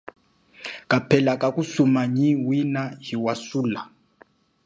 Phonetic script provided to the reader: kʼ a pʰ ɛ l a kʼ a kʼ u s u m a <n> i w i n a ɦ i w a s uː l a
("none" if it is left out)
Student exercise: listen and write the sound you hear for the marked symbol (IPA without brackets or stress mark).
ɲ